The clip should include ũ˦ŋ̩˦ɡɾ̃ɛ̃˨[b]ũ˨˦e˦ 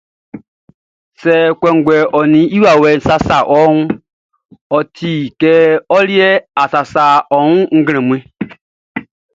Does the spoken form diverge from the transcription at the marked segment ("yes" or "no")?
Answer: yes